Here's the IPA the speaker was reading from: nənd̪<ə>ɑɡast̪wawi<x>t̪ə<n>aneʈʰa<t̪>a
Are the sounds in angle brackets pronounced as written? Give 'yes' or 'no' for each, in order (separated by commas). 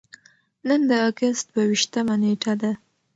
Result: yes, no, no, no